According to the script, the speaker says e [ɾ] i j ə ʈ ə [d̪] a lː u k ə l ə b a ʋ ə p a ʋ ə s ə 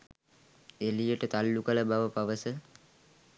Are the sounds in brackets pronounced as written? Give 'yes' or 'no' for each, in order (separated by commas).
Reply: no, no